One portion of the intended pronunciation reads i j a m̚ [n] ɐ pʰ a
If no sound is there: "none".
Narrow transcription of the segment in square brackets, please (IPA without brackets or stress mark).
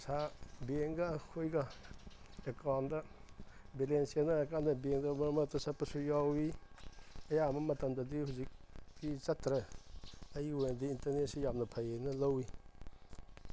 n